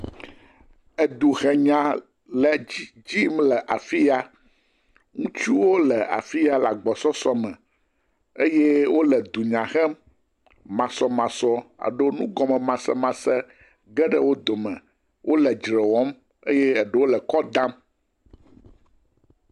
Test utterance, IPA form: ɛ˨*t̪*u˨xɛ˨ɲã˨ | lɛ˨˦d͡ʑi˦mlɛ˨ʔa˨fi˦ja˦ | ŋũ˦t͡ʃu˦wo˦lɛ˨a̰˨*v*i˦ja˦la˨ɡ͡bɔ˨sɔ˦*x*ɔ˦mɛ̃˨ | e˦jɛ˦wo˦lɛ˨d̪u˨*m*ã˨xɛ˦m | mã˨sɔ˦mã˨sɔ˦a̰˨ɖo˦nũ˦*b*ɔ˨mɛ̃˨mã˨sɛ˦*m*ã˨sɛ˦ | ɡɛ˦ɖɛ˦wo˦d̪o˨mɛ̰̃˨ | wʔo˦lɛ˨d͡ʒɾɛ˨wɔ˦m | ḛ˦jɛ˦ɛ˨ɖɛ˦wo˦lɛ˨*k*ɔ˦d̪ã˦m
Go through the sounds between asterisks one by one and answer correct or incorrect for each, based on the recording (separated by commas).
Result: incorrect, incorrect, incorrect, incorrect, incorrect, correct, correct